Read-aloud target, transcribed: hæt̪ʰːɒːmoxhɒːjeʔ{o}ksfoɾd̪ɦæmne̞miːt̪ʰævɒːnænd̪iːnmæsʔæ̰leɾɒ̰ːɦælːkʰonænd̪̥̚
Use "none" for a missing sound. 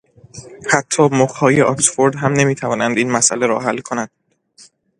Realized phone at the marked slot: ɒ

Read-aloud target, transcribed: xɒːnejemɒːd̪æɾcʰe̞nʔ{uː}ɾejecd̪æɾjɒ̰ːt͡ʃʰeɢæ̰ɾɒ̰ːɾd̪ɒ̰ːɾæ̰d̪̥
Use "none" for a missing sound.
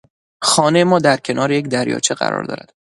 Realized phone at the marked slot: ɒː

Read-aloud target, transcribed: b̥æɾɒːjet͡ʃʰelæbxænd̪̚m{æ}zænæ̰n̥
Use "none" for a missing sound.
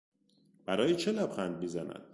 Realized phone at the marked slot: i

